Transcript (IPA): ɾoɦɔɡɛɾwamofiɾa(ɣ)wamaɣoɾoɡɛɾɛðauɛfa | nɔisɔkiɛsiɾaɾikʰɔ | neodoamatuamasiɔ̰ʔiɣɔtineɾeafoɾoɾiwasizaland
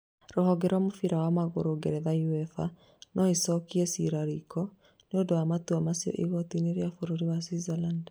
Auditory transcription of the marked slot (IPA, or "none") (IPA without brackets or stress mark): none